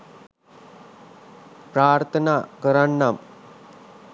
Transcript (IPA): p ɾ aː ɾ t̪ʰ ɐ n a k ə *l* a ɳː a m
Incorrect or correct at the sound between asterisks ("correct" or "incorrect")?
incorrect